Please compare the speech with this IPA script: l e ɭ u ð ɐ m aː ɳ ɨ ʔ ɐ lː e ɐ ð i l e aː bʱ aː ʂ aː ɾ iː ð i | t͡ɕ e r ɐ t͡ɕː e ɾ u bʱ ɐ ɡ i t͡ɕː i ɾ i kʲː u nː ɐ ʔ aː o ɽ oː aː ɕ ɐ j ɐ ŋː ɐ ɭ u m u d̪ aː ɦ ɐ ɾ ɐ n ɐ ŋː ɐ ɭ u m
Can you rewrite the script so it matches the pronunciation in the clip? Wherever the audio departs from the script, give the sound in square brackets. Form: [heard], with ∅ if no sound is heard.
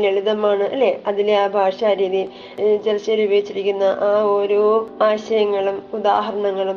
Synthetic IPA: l e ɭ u ð ɐ m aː ɳ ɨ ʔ ɐ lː e ɐ ð i l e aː bʱ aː ʂ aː ɾ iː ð i | t͡ɕ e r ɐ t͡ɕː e ɾ u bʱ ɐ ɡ i t͡ɕː i ɾ i kʲː u nː ɐ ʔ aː o [ɾ] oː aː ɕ ɐ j ɐ ŋː ɐ ɭ u m u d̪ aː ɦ ɐ ɾ ɐ [ɳ] ɐ ŋː ɐ ɭ u m